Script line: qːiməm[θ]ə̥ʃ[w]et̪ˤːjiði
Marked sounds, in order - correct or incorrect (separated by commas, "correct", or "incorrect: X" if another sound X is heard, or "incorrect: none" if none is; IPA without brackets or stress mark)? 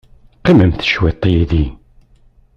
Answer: correct, correct